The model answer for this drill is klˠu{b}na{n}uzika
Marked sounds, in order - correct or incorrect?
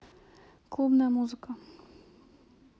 correct, incorrect: m

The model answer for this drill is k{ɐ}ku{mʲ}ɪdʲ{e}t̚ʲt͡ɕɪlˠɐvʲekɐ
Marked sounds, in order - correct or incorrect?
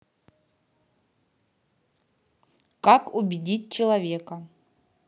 incorrect: a, incorrect: bʲ, incorrect: i

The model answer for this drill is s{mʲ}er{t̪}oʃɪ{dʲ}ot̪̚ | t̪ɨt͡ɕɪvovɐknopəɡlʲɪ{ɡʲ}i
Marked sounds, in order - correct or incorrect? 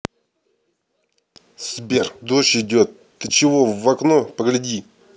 incorrect: bʲ, incorrect: d̪, correct, incorrect: dʲ

